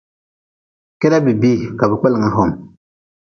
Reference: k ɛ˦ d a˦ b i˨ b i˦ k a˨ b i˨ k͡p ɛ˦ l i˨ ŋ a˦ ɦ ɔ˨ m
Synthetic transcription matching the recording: k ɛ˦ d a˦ b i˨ b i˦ k a˨ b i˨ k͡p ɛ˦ l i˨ ŋ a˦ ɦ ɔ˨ m